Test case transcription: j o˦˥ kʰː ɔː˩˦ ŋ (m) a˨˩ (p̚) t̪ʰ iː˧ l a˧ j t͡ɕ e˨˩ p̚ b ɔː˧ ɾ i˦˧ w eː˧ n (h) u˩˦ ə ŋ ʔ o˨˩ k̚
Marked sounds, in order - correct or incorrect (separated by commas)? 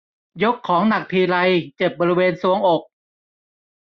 incorrect, incorrect, incorrect